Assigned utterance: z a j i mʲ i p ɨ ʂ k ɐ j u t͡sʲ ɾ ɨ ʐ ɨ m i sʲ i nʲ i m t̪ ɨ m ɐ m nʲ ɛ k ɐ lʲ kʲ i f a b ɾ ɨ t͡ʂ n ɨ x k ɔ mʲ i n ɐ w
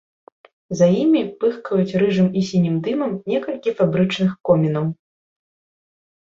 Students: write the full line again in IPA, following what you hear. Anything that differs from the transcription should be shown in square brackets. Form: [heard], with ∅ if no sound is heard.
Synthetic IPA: z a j i mʲ i p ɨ [x] k ɐ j u t͡sʲ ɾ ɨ ʐ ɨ m i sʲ i nʲ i m [d̪] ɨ m ɐ m nʲ ɛ k ɐ lʲ kʲ i f a b ɾ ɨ t͡ʂ n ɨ x k ɔ mʲ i n ɐ w